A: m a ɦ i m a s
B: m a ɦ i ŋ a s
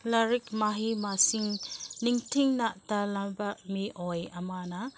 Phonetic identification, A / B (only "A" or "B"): A